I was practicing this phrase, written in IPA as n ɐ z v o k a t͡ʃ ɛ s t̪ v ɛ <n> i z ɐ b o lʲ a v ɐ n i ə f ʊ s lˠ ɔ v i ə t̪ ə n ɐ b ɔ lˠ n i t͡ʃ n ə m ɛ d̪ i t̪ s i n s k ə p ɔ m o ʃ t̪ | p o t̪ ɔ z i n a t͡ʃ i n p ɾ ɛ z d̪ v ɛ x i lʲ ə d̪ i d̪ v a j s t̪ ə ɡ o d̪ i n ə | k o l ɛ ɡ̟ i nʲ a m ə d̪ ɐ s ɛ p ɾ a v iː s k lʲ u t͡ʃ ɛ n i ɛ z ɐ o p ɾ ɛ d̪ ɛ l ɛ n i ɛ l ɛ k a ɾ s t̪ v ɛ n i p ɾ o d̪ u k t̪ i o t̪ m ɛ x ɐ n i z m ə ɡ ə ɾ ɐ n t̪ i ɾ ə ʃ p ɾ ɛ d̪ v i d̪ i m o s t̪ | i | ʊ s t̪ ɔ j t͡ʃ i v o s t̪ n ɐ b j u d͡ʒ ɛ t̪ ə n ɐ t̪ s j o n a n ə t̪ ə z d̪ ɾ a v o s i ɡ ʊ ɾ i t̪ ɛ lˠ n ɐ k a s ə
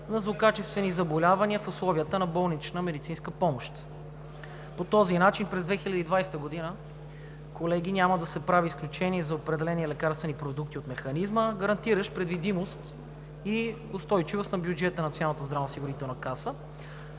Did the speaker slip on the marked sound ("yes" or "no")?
no